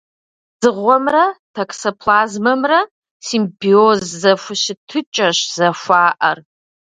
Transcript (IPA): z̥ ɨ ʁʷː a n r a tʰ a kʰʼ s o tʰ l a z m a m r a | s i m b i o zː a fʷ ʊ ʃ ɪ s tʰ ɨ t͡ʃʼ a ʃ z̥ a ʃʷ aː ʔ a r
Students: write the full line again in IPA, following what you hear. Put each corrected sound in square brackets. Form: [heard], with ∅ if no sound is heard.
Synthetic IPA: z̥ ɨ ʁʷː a [m] r a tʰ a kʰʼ s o [pʰ] l a z m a m r a | s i m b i o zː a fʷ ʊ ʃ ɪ [∅] tʰ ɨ t͡ʃʼ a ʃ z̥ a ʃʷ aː ʔ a r